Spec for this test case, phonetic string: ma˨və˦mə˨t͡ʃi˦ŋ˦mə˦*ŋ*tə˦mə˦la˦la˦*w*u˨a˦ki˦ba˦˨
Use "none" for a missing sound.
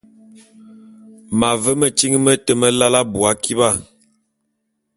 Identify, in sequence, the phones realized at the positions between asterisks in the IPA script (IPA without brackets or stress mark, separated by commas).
none, b